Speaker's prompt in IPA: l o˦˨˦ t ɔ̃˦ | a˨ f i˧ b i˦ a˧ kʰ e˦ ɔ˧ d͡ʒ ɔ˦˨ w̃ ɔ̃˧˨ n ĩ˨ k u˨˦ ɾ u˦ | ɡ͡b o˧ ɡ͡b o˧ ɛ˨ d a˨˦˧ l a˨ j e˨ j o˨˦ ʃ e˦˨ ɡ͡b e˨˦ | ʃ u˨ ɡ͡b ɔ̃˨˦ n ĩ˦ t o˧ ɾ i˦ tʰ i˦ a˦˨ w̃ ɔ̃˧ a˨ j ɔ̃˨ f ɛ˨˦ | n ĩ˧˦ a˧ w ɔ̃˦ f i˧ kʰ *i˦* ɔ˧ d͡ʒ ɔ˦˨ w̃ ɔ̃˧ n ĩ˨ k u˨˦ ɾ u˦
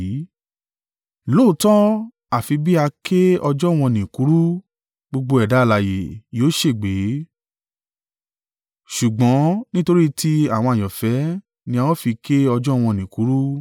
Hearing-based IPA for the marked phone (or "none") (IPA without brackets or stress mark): e˦